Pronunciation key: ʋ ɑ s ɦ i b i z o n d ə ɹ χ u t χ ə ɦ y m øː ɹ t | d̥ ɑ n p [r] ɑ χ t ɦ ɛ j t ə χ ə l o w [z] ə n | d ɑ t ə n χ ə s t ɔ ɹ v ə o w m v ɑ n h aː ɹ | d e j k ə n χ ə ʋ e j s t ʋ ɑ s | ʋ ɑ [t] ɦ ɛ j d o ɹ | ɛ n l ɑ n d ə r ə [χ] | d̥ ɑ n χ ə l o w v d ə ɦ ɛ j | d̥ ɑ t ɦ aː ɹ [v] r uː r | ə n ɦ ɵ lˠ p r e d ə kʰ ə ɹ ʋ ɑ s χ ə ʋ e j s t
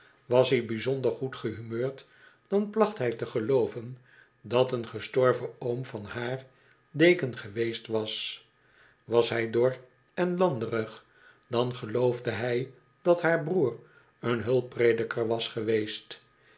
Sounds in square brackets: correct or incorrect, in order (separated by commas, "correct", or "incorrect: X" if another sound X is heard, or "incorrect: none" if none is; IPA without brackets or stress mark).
incorrect: l, incorrect: v, incorrect: s, correct, incorrect: b